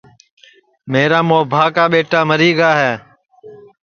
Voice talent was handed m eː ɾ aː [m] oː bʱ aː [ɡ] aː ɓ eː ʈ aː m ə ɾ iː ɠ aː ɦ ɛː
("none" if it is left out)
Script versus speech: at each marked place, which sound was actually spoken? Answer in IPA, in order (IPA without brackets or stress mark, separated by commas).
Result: m, k